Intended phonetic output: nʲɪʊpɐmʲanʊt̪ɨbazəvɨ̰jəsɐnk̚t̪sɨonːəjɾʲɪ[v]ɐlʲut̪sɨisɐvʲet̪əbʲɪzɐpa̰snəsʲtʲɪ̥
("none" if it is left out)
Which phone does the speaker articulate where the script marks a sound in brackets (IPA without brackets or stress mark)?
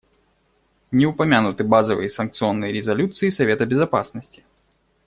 z